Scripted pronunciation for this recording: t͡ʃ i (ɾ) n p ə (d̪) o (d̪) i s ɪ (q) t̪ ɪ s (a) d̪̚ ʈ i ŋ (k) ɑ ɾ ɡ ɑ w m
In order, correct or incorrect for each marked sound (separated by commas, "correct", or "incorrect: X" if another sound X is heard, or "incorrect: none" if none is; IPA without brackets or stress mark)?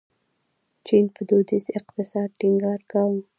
incorrect: none, correct, correct, correct, incorrect: ɑ, incorrect: ɡ